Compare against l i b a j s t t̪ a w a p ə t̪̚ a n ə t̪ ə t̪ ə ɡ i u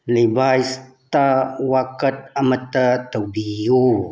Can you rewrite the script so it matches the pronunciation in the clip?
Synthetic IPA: l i b a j s t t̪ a w a k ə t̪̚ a m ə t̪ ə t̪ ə b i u